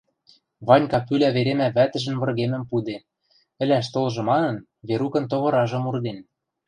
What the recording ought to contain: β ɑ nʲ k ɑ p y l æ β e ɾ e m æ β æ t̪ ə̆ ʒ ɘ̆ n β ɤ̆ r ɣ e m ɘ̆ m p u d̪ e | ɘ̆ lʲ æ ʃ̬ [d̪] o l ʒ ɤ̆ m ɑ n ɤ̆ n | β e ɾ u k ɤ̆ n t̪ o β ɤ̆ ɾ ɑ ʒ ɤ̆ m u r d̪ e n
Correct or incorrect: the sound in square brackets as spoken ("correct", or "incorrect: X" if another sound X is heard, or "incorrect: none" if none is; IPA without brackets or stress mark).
incorrect: t̪